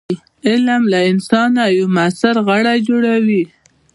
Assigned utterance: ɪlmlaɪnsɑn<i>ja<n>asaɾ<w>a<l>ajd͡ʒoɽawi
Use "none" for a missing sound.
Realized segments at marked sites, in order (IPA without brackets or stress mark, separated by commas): a, m, ɣ, ɽ